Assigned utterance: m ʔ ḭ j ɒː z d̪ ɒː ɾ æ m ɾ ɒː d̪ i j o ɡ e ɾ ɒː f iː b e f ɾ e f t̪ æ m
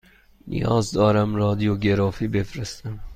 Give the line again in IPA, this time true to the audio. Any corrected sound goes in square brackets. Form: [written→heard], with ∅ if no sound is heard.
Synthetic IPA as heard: [m→n] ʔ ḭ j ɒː z d̪ ɒː ɾ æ m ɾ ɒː d̪ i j o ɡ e ɾ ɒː f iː b e f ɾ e [f→s] t̪ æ m